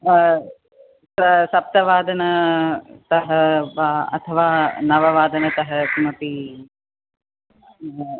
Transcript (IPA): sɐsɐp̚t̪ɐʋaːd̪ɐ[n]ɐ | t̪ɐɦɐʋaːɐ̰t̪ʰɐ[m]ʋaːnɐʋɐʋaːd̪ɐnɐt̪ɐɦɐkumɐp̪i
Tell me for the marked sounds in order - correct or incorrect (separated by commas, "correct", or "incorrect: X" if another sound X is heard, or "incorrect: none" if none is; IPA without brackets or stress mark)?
correct, incorrect: none